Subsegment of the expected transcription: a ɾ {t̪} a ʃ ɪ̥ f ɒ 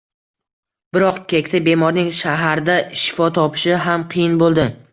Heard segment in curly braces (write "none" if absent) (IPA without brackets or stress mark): d̪